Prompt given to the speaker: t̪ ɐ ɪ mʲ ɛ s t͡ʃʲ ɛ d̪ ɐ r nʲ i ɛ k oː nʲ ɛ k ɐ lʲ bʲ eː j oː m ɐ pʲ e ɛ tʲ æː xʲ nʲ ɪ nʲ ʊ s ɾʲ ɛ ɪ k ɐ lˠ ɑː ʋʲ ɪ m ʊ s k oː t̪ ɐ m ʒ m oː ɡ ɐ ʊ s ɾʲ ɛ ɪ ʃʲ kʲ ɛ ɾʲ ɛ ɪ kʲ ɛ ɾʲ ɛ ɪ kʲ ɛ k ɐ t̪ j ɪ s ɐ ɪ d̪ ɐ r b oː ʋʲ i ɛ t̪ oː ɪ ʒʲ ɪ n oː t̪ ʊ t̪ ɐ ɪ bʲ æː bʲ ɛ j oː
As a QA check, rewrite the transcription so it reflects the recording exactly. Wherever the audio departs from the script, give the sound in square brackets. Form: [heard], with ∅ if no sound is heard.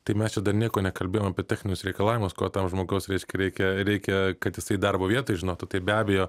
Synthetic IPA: t̪ ɐ ɪ mʲ ɛ s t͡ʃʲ ɛ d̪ ɐ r nʲ i ɛ k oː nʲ ɛ k ɐ lʲ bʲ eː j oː m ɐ pʲ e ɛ tʲ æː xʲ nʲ ɪ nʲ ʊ s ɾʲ ɛ ɪ k ɐ lˠ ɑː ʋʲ ɪ m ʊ s k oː t̪ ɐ m ʒ m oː ɡ ɐ ʊ s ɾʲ ɛ ɪ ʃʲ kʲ ɛ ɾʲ ɛ ɪ kʲ ɛ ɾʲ ɛ ɪ kʲ ɛ k ɐ t̪ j ɪ s ɐ ɪ d̪ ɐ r b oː ʋʲ i ɛ t̪ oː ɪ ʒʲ ɪ n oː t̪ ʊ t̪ ɐ ɪ bʲ æː bʲ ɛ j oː